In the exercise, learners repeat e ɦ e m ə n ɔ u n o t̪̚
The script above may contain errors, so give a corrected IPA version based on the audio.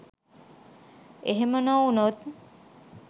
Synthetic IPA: e ɦ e m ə n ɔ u n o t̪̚